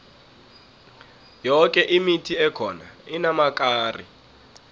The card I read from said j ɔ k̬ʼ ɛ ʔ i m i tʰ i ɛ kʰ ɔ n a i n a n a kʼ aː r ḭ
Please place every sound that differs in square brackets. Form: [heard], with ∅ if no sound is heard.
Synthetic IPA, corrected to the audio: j ɔ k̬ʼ ɛ ʔ i m i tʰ i ɛ kʰ ɔ n a i n a [m] a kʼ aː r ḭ